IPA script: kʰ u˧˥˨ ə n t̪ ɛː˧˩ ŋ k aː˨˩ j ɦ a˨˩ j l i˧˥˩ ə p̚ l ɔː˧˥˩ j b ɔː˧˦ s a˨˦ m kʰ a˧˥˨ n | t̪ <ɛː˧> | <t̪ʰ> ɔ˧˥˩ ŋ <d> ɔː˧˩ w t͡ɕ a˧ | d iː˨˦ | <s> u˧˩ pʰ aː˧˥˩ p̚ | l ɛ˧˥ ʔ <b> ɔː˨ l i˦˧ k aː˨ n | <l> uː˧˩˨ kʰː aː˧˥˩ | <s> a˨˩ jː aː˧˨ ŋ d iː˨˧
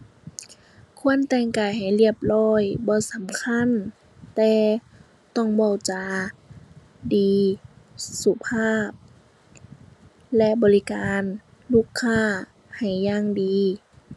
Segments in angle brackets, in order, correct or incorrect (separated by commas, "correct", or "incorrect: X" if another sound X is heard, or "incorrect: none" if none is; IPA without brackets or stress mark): correct, incorrect: t̪, incorrect: b, correct, correct, correct, incorrect: h